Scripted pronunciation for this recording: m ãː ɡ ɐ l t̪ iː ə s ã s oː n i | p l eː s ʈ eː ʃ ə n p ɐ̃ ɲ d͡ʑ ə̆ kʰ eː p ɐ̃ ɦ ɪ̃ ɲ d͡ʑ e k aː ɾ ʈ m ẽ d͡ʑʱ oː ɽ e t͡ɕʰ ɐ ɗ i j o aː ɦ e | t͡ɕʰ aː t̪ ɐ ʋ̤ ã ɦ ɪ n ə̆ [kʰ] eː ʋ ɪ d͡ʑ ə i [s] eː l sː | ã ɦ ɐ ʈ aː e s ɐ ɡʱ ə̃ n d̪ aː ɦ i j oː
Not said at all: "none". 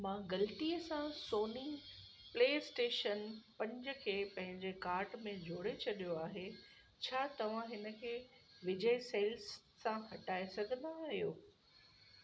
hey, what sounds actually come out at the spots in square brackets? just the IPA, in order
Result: kʰ, s

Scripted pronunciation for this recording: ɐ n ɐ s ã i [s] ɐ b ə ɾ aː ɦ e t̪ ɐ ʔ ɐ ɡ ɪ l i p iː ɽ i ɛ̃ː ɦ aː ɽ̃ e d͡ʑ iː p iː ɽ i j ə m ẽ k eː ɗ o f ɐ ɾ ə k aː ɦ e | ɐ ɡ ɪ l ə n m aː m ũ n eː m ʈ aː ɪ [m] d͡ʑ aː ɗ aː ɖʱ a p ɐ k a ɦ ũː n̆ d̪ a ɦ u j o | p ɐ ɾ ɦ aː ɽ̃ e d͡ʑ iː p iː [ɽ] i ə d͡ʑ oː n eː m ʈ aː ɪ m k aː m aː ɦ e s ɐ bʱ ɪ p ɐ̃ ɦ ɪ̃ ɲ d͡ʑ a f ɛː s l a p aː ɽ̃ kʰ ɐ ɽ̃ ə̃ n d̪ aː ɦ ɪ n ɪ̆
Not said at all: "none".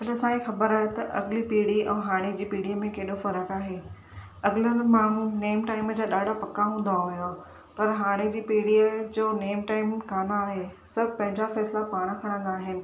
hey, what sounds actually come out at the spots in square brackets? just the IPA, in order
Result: x, m, ɽ

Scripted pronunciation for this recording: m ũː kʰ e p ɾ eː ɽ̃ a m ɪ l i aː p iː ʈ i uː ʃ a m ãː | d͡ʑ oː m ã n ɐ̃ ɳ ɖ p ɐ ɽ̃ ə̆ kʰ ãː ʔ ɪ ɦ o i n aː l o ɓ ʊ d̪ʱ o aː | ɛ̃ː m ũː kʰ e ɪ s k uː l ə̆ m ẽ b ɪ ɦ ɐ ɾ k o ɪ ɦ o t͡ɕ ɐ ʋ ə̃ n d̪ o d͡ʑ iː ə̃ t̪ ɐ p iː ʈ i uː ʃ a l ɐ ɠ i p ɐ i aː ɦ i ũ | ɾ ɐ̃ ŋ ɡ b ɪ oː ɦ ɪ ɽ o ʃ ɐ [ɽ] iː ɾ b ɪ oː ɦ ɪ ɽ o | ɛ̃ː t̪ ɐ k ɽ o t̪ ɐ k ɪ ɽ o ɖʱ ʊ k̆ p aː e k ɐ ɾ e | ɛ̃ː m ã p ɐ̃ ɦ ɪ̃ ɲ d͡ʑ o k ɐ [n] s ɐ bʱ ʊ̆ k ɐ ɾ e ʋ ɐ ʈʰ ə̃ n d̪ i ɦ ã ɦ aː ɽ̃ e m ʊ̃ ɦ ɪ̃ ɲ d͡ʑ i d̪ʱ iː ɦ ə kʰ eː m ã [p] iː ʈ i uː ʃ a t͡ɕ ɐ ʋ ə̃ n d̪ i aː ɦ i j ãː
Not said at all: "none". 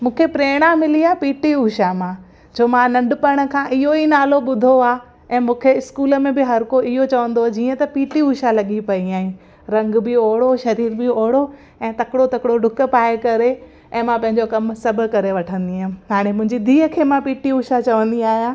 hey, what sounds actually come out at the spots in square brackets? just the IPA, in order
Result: ɾ, m, p

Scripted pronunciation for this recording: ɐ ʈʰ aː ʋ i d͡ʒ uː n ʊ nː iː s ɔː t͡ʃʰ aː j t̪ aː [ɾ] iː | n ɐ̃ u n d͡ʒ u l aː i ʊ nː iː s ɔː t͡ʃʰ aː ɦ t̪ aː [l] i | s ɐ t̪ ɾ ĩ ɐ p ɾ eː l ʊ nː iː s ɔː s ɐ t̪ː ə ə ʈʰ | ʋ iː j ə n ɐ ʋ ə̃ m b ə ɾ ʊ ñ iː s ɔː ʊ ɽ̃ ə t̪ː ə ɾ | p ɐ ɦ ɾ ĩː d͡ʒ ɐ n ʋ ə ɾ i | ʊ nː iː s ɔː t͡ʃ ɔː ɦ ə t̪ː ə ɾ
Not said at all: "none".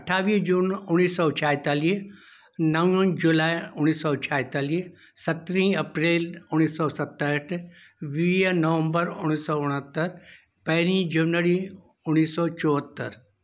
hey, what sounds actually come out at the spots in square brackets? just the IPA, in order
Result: l, l

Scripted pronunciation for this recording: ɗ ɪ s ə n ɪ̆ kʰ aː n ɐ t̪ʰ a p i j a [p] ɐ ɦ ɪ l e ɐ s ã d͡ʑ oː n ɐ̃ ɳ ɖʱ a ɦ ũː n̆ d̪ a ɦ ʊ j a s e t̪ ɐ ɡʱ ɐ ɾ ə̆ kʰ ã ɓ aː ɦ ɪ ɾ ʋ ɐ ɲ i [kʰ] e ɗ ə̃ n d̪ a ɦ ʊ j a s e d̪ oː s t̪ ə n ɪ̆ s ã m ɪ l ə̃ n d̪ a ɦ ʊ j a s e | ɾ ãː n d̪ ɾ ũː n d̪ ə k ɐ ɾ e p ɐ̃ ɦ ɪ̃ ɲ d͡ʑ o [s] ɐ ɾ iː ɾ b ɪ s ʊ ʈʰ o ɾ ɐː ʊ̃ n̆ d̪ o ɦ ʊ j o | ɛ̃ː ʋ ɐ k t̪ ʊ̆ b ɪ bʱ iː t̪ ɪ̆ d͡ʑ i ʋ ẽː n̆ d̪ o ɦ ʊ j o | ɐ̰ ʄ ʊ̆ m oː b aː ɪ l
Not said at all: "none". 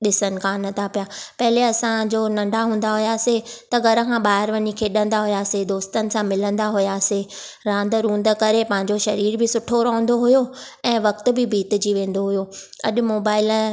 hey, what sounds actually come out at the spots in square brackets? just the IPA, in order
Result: p, kʰ, ʃ

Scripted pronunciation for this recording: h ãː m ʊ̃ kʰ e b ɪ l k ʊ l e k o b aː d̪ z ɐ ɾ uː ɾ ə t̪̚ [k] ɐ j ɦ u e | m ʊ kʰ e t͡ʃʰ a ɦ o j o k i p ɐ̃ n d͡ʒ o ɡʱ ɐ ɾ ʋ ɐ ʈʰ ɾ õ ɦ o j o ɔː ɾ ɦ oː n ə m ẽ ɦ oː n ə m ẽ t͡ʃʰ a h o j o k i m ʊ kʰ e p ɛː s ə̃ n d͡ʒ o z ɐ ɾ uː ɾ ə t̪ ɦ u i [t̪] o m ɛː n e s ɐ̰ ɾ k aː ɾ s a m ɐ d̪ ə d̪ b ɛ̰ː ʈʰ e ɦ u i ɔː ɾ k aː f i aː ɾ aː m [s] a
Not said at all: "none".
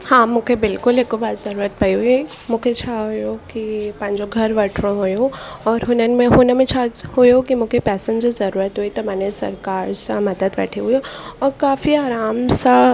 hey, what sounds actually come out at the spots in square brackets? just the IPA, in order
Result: p, t̪, s

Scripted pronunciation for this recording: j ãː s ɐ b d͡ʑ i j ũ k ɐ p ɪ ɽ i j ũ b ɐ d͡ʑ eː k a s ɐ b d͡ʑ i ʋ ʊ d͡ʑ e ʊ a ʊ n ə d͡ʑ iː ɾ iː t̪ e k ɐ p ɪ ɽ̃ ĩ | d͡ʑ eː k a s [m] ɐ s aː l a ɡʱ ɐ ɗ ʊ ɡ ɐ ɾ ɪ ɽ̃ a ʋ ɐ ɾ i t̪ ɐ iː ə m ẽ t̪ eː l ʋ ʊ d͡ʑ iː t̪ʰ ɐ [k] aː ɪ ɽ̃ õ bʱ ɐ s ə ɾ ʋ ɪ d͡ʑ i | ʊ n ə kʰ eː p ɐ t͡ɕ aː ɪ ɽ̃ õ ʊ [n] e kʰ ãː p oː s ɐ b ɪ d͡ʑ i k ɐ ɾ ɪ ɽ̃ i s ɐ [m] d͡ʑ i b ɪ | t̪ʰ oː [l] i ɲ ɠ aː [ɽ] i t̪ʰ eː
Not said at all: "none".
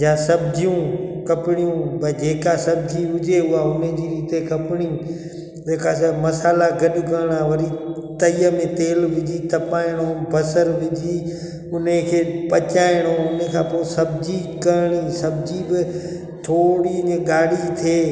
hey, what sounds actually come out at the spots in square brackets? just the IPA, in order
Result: m, p, n, b, ɽ, ɽ

